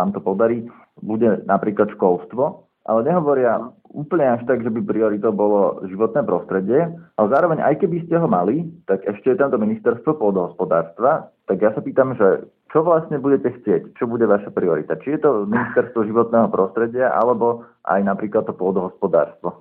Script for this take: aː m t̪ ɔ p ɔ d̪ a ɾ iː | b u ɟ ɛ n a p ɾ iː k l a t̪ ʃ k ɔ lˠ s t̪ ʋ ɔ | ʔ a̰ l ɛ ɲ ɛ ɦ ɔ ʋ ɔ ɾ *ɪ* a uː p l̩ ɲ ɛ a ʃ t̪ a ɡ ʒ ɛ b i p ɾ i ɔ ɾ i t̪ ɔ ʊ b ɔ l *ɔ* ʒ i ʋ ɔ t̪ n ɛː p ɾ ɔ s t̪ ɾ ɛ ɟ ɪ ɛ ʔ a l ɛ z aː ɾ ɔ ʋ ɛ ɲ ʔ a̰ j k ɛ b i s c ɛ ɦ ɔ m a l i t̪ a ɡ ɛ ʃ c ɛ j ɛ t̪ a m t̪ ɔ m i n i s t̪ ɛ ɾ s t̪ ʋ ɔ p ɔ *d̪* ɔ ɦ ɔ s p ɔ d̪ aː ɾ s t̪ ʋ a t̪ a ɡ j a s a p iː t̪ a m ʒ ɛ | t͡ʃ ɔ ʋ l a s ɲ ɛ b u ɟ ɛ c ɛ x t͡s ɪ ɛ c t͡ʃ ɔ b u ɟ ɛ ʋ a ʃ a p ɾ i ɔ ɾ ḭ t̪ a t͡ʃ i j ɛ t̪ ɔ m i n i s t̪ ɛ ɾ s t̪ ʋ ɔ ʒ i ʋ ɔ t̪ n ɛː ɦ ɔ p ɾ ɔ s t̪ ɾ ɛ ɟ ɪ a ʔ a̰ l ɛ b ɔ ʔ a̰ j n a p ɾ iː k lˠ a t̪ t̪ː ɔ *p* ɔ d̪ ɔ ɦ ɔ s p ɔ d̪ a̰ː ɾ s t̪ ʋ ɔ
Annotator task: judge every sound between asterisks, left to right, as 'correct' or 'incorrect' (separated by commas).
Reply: correct, correct, correct, correct